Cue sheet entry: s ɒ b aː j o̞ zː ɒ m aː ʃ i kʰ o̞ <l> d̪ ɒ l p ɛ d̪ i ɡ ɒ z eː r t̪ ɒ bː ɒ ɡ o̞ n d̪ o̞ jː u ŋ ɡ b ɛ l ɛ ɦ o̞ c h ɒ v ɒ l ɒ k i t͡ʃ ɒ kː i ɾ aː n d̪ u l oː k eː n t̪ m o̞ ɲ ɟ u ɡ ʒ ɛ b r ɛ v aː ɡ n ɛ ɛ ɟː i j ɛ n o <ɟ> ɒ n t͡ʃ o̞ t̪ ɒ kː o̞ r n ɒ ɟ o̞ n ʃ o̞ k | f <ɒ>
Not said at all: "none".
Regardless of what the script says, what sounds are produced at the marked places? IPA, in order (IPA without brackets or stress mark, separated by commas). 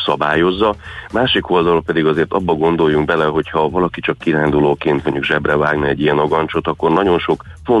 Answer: l, ɡ, o